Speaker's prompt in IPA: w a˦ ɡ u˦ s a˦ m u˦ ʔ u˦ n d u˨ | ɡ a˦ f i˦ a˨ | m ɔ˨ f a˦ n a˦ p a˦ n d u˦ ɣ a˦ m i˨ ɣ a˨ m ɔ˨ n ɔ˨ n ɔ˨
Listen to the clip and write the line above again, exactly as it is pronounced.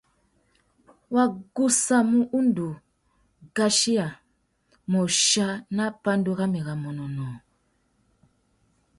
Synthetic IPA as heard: w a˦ ɡ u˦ s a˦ m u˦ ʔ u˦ n d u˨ | ɡ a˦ ʃ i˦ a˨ | m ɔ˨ ʃ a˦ n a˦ p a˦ n d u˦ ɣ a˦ m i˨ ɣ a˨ m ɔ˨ n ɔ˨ n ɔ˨